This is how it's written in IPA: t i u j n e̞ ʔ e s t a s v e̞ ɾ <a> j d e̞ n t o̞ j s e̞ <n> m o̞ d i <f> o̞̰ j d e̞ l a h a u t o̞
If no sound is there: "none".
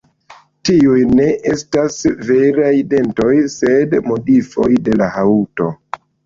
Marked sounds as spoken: a, d, f

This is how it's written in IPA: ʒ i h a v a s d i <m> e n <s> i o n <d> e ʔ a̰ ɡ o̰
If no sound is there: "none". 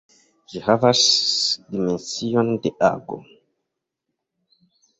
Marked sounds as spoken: m, s, d

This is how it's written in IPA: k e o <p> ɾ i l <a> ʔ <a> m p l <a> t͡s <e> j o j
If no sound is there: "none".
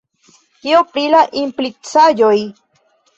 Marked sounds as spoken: p, a, i, i, a

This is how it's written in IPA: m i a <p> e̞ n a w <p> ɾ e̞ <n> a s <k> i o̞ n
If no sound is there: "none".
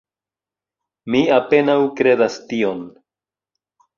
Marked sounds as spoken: p, k, d, t

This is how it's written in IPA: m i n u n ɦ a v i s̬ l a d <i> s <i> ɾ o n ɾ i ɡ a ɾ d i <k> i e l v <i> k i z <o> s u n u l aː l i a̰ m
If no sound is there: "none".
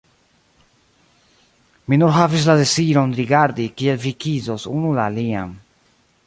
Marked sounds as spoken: e, i, k, i, o

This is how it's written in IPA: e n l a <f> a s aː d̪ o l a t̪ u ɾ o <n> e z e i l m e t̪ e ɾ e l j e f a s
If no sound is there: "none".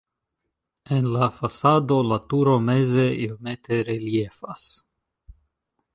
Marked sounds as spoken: f, m

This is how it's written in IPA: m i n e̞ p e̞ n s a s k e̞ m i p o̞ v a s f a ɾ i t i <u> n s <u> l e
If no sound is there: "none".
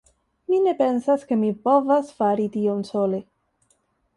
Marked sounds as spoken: o, o

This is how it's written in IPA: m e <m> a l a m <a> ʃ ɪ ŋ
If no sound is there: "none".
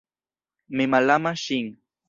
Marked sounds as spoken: m, a

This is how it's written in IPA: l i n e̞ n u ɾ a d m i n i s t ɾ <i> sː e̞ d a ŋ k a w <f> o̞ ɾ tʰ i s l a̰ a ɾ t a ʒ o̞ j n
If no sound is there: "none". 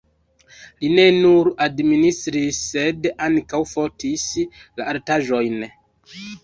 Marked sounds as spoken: i, f

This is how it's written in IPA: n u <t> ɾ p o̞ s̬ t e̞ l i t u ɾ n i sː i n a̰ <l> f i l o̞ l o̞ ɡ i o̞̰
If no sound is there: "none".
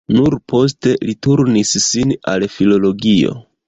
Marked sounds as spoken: none, l

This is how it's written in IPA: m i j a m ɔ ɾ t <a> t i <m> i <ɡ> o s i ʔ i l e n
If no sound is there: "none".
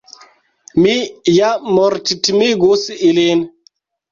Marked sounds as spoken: i, m, ɡ

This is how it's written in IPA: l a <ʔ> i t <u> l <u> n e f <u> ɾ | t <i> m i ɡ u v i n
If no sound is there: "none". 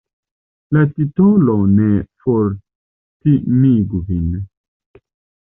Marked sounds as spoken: t, o, o, o, i

